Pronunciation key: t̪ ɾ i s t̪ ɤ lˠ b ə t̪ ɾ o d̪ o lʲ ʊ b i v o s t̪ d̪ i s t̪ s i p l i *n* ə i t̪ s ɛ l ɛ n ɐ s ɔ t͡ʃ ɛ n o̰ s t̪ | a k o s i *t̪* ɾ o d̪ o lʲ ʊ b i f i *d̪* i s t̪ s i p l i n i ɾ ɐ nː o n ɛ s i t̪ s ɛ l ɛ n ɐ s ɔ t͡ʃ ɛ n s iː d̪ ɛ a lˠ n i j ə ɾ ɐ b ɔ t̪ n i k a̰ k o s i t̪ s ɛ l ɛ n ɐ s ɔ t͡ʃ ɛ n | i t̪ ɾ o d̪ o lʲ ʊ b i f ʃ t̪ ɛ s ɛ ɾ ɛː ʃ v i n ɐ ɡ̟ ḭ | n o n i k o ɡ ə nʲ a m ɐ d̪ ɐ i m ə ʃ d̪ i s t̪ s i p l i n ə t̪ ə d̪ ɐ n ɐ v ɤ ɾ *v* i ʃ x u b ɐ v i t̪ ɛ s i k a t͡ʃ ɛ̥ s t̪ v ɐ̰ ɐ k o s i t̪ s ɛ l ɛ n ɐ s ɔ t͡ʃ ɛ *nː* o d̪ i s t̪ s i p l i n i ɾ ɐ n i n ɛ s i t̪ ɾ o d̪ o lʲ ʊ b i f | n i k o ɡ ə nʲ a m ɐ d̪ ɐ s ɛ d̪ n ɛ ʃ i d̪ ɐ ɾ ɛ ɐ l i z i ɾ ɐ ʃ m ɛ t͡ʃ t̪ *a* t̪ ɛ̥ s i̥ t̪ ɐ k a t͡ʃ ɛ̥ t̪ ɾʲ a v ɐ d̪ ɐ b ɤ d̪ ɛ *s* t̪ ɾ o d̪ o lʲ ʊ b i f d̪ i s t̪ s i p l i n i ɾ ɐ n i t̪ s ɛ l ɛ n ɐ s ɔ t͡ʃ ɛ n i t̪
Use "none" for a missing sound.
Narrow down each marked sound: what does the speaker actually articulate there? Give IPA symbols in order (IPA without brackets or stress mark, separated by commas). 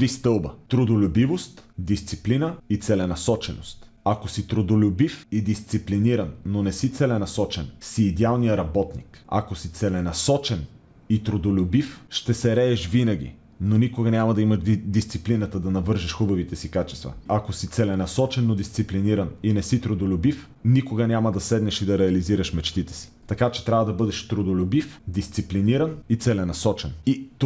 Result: n, t̪, d̪, ʒ, nː, i, ʃ